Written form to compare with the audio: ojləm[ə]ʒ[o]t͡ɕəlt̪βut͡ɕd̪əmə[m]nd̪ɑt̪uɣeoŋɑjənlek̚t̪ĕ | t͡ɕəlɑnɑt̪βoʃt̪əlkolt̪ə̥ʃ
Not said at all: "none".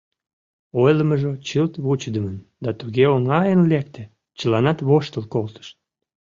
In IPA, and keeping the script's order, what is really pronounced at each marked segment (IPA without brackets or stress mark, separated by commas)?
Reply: ə, o, none